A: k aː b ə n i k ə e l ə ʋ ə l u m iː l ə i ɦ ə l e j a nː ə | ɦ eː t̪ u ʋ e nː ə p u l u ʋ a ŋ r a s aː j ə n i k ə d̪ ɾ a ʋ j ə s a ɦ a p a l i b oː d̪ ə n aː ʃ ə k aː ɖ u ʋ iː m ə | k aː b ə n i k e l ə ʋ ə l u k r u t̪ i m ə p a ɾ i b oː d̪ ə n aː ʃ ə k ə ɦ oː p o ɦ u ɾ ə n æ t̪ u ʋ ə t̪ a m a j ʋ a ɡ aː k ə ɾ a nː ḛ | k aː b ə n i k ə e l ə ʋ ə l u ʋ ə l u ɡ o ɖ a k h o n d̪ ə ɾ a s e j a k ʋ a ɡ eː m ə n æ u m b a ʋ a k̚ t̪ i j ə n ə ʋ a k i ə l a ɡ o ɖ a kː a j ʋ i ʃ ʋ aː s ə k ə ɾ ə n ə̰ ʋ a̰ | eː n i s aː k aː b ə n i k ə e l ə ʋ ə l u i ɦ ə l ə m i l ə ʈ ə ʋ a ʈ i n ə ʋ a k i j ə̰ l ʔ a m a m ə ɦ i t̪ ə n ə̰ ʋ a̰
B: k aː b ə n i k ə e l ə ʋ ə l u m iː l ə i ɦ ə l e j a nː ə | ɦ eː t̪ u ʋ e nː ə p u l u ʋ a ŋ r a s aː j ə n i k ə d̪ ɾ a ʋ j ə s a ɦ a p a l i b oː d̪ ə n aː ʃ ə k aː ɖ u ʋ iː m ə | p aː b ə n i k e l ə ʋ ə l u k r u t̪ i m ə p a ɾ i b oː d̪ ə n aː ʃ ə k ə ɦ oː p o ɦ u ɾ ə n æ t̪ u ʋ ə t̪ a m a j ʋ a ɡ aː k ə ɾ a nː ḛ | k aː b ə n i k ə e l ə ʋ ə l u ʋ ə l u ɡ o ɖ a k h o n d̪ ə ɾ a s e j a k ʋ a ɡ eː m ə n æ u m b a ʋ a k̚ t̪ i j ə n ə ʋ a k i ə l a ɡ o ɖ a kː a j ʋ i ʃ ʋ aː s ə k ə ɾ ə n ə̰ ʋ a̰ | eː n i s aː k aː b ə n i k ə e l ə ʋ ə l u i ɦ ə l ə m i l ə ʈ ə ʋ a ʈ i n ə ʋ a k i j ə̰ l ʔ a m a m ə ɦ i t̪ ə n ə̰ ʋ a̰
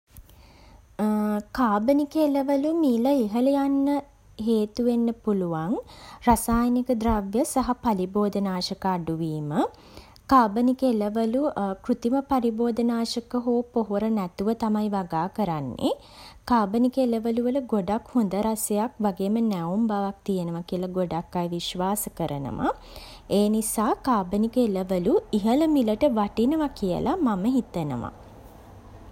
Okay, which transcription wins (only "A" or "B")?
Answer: A